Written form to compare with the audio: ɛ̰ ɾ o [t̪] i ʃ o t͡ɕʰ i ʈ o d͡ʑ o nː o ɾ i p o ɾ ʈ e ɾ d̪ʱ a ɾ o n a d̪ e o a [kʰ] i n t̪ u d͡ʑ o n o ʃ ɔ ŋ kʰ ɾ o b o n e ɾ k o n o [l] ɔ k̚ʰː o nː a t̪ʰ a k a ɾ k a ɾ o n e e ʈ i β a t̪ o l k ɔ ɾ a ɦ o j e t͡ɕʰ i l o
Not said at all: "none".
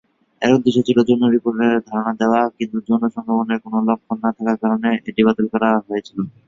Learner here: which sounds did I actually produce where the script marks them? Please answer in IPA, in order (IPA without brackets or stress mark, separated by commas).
d̪, k, l